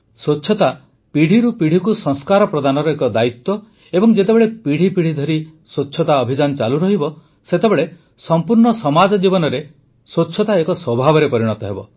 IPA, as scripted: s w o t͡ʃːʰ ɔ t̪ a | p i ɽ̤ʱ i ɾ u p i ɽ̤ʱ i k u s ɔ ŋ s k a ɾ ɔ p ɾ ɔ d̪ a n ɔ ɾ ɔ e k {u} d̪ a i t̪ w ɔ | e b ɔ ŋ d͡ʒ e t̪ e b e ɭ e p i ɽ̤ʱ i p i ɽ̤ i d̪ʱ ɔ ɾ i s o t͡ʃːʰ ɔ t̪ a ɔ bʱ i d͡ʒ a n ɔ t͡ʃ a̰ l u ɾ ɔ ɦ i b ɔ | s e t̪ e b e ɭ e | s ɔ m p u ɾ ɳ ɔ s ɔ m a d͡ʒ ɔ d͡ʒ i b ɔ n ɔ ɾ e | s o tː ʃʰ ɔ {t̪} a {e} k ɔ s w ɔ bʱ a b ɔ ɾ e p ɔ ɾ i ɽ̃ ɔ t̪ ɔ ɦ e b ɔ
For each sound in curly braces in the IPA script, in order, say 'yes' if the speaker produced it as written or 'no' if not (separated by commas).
no, yes, yes